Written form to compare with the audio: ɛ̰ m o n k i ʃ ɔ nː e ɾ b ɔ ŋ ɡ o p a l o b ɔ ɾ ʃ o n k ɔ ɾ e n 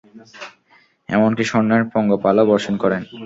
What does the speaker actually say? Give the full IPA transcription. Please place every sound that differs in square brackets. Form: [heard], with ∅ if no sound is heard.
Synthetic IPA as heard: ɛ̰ m o n k i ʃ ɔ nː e ɾ [p] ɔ ŋ ɡ o p a l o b ɔ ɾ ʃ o n k ɔ ɾ e n

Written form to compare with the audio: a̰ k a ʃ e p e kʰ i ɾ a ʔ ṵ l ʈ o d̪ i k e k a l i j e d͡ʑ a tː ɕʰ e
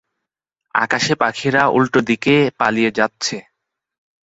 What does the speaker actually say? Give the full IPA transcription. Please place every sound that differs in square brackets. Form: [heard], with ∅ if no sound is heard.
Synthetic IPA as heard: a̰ k a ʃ e p [a] kʰ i ɾ a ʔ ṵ l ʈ o d̪ i k e [p] a l i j e d͡ʑ a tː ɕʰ e

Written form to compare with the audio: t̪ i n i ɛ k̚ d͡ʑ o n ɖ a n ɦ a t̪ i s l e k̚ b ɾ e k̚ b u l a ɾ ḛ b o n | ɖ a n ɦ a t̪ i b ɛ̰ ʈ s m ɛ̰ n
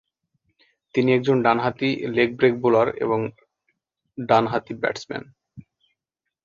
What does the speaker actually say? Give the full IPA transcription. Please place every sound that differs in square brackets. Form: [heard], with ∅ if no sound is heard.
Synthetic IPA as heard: t̪ i n i ɛ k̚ d͡ʑ o n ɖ a n ɦ a t̪ i [∅] l e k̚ b ɾ e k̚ b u l a ɾ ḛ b o [ŋ] | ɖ a n ɦ a t̪ i b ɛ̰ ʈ s m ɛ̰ n

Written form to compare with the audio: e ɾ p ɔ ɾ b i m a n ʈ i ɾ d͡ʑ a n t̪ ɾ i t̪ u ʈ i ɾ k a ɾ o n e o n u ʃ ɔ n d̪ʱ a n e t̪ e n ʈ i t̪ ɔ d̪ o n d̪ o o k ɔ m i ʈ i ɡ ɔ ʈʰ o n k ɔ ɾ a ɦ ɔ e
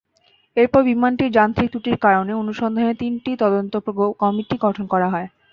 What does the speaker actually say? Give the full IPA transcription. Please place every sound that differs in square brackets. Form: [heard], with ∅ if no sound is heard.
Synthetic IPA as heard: e ɾ p ɔ ɾ b i m a n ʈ i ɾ d͡ʑ a n t̪ ɾ i t̪ u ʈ i ɾ k a ɾ o n e o n u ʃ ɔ n d̪ʱ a n e t̪ [i] n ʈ i t̪ ɔ d̪ o n [t̪] o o k ɔ m i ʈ i ɡ ɔ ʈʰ o n k ɔ ɾ a ɦ ɔ e

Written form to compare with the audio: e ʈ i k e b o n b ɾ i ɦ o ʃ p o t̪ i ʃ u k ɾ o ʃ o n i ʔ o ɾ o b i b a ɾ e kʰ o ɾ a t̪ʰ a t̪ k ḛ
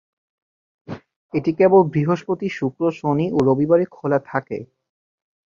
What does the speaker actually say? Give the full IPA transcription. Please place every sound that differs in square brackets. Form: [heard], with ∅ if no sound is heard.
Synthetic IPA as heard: e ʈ i k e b o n b ɾ i ɦ o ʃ p o t̪ i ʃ u k ɾ o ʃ o n i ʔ o ɾ o b i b a ɾ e kʰ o [l] a t̪ʰ a [∅] k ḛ

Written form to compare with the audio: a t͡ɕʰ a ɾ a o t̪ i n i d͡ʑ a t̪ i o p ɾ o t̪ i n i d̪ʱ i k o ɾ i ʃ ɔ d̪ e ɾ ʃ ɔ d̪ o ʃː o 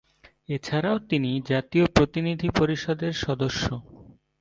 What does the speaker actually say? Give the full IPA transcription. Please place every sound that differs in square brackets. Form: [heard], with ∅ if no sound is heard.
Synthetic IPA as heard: [e] t͡ɕʰ a ɾ a o t̪ i n i d͡ʑ a t̪ i o p ɾ o t̪ i n i d̪ʱ i [p] o ɾ i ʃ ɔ d̪ e ɾ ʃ ɔ d̪ o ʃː o

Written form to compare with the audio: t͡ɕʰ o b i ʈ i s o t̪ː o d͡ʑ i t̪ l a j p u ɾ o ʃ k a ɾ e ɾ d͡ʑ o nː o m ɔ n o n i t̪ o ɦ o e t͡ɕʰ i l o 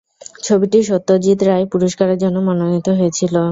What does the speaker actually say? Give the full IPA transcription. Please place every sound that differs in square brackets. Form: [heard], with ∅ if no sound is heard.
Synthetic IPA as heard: t͡ɕʰ o b i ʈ i [ʃ] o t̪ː o d͡ʑ i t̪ [ɾ] a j p u ɾ o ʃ k a ɾ e ɾ d͡ʑ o nː o m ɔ n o n i t̪ o ɦ o e t͡ɕʰ i l o

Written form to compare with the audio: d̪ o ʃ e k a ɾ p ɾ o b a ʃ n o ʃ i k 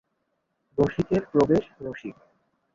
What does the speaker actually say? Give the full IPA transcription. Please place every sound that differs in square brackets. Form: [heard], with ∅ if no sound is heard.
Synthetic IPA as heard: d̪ o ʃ [i] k [e] ɾ p ɾ o b [e] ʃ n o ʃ i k

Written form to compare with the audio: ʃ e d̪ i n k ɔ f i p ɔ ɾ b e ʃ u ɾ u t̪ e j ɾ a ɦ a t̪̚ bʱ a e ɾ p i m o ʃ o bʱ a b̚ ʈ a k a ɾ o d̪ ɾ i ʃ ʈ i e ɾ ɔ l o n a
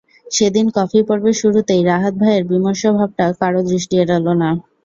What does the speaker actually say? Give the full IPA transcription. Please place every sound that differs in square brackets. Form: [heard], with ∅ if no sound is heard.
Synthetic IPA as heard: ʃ e d̪ i n k ɔ f i p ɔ ɾ b e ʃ u ɾ u t̪ e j ɾ a ɦ a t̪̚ bʱ a e ɾ [b] i m o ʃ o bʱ a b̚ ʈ a k a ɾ o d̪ ɾ i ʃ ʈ i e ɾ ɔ l o n a

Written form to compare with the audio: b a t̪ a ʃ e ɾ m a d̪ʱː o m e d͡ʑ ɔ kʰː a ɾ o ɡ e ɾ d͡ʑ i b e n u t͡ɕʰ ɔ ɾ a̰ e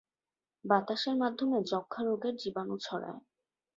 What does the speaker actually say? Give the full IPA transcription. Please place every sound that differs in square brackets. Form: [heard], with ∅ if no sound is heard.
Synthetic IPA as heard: b a t̪ a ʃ e ɾ m a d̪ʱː o m e d͡ʑ ɔ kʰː a ɾ o ɡ e ɾ d͡ʑ i b [a] n u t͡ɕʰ ɔ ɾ a̰ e

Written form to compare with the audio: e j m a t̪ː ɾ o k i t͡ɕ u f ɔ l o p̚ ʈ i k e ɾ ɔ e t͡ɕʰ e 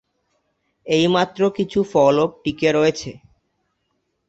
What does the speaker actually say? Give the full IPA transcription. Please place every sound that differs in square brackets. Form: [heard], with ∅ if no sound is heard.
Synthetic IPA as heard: e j m a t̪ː ɾ o k i [t͡ɕʰ] u f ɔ l o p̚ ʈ i k e ɾ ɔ e t͡ɕʰ e

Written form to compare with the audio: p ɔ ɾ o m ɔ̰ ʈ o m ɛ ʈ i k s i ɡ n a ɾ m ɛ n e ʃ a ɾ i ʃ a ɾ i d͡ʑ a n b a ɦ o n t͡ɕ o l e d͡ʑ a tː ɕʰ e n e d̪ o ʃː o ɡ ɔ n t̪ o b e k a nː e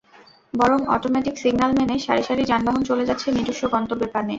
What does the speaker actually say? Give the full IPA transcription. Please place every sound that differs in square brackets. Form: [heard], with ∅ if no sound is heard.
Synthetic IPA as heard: [b] ɔ ɾ o m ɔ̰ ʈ o m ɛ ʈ i k s i ɡ n a [l] m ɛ n e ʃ a ɾ i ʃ a ɾ i d͡ʑ a n b a ɦ o n t͡ɕ o l e d͡ʑ a tː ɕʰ e n [i] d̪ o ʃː o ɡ ɔ n t̪ o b e [p] a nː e

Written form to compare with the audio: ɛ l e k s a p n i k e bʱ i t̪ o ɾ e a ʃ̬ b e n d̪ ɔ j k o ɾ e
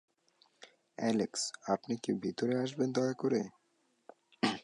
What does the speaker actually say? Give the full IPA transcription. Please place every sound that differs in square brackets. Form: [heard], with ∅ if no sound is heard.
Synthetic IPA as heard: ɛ l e k s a p n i k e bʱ i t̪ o ɾ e a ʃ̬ b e n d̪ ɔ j k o ɾ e

